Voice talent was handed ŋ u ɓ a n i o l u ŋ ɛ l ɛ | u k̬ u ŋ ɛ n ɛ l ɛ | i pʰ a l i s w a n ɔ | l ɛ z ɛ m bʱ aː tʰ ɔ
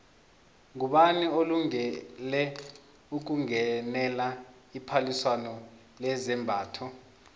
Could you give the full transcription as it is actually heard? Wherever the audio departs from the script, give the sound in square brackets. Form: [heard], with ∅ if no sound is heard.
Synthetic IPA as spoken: ŋ u ɓ a n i o l u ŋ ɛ l ɛ | u k̬ u ŋ ɛ n ɛ l [a] | i pʰ a l i s w a n ɔ | l ɛ z ɛ m bʱ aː tʰ ɔ